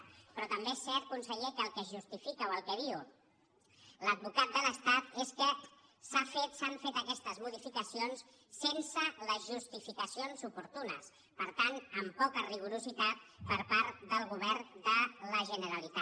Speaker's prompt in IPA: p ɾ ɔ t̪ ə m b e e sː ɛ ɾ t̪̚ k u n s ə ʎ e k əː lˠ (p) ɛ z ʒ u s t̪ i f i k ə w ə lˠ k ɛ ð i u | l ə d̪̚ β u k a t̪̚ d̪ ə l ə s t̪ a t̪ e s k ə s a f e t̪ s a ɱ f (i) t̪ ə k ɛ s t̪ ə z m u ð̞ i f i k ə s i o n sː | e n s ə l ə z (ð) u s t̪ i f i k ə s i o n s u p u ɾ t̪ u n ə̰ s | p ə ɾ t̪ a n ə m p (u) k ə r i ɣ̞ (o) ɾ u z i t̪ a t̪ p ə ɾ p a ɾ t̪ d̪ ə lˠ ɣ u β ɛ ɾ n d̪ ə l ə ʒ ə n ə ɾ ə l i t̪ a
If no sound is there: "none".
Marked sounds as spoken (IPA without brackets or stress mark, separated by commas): k, e, ʒ, ɔ, u